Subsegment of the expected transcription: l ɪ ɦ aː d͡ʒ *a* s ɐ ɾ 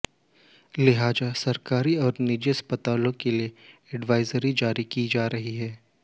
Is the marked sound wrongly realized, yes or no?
no